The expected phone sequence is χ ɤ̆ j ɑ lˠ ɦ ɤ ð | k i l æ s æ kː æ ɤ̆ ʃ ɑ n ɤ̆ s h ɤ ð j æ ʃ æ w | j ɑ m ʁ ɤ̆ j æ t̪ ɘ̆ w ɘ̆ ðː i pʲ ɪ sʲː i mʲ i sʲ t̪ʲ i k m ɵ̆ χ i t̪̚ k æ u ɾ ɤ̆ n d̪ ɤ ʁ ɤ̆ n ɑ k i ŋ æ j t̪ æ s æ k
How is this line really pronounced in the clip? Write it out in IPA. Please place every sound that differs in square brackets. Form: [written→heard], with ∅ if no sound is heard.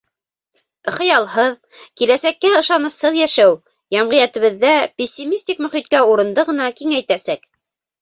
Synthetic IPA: χ ɤ̆ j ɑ lˠ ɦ ɤ ð | k i l æ s æ kː æ ɤ̆ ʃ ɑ n ɤ̆ s h ɤ ð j æ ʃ æ w | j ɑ m ʁ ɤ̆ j æ t̪ ɘ̆ [w→β] ɘ̆ ðː [i→æ] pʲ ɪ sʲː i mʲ i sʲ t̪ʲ i k m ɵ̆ χ i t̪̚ k æ u ɾ ɤ̆ n d̪ ɤ ʁ ɤ̆ n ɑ k i ŋ æ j t̪ æ s æ k